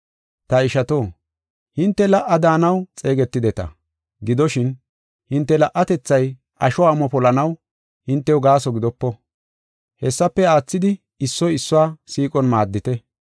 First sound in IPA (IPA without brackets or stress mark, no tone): t̪